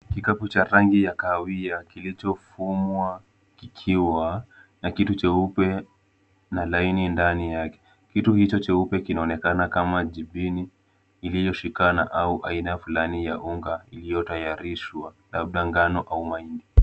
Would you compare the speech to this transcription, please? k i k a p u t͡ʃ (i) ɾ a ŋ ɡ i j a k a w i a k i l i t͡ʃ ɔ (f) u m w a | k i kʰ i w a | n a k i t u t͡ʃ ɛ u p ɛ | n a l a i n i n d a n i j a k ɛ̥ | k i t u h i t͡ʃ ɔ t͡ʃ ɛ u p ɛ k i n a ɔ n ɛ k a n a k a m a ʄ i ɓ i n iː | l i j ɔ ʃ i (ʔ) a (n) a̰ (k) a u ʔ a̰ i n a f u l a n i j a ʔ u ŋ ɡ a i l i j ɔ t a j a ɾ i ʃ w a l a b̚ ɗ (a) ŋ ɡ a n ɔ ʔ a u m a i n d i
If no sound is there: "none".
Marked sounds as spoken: a, f, k, n, ʔ, a

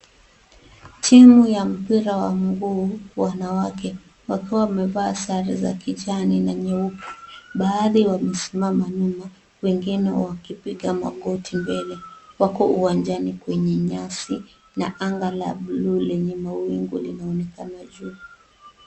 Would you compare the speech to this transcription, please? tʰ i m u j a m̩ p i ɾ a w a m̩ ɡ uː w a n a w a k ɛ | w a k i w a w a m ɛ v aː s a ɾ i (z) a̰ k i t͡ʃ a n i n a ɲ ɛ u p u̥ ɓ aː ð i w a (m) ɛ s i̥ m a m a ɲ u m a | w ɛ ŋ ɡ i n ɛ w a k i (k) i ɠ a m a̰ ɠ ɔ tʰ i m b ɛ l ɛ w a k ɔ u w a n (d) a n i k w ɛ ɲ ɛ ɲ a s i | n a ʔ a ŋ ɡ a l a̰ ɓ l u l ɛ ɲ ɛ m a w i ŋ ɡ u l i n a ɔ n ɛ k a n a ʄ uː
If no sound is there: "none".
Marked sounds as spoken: z, m, p, d͡ʒ

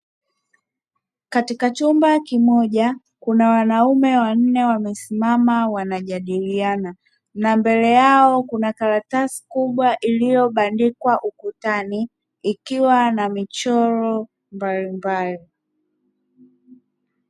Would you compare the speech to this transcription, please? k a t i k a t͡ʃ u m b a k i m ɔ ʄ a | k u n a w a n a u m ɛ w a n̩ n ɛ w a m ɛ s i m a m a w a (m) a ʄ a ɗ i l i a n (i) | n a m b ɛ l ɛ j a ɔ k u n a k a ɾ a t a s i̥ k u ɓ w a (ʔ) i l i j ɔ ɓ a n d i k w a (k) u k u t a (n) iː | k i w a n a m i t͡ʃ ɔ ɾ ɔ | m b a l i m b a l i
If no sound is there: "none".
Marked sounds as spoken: n, a, ʔ, ʔ, n

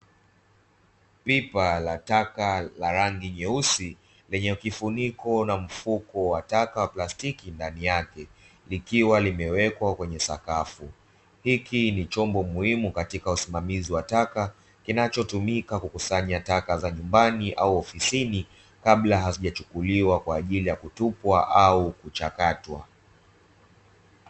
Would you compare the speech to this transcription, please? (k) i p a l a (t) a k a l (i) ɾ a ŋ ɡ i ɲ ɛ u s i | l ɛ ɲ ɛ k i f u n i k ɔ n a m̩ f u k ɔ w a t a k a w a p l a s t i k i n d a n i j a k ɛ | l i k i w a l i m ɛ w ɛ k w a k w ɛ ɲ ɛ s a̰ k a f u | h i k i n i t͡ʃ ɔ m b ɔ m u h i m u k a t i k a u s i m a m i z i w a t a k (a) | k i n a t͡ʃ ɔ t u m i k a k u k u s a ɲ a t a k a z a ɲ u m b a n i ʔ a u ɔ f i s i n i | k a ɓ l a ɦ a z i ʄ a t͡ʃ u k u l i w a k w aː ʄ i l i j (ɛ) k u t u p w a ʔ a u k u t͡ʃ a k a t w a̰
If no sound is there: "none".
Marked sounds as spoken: p, t, a, a, a

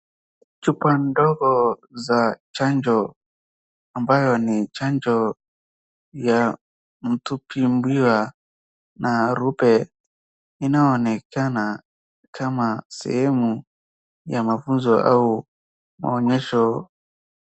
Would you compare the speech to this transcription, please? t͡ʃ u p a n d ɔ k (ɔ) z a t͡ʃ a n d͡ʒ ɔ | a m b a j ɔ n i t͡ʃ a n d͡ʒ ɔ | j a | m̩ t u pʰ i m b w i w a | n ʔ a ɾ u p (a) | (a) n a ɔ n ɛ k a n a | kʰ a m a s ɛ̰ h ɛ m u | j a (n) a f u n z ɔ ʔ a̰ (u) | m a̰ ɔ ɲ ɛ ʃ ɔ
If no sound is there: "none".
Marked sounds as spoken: ɔ, ɛ, i, m, u

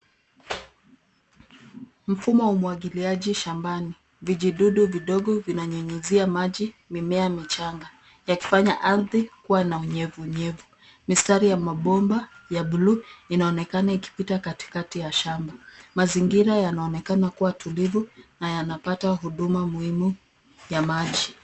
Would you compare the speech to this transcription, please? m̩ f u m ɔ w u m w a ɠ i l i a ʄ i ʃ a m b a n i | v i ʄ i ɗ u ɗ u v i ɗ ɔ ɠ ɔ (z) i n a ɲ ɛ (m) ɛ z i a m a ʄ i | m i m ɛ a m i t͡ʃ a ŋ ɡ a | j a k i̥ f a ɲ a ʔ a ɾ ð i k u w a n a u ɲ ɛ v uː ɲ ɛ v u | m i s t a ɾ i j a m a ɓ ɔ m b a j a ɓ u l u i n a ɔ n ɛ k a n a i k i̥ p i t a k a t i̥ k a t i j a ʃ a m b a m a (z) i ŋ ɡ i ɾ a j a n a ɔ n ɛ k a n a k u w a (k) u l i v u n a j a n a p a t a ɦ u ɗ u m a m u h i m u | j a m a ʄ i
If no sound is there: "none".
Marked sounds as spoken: v, ɲ, z, t

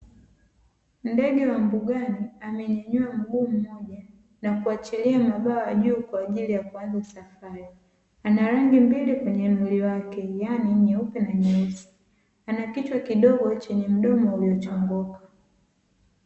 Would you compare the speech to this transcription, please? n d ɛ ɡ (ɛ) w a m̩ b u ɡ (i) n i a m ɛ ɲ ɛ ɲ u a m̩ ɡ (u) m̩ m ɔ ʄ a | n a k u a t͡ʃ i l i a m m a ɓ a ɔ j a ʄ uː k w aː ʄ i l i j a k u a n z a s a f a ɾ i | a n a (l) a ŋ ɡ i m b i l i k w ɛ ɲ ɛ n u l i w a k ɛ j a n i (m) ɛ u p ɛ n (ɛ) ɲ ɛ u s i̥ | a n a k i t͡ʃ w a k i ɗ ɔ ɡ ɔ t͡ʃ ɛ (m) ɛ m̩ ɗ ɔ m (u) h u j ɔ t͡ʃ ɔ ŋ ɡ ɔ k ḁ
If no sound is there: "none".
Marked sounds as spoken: ɛ, a, uː, ɾ, ɲ, a, ɲ, ɔ

